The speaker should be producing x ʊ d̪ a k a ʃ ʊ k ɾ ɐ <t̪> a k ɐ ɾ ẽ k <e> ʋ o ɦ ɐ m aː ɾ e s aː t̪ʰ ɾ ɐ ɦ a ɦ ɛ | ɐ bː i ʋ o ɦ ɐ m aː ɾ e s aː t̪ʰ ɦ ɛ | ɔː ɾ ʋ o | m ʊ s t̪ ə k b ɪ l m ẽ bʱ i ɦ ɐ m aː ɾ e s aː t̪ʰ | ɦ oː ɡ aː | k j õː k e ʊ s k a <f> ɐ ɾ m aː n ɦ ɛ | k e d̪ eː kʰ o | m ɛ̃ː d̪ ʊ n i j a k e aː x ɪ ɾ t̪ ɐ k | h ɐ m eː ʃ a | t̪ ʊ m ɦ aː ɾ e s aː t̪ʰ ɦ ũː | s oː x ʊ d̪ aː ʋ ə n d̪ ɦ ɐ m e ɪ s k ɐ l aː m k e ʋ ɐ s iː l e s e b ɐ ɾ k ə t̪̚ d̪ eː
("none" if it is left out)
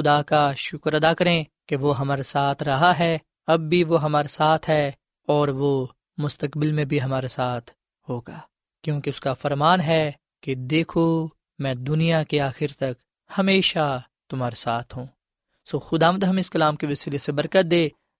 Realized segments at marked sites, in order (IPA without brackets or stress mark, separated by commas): d̪, e, f